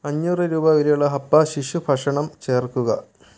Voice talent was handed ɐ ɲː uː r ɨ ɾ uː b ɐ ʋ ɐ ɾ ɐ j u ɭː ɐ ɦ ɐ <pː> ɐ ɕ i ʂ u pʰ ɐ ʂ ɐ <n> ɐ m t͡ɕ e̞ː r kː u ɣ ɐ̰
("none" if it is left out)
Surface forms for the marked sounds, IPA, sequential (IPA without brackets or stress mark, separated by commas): pː, ɳ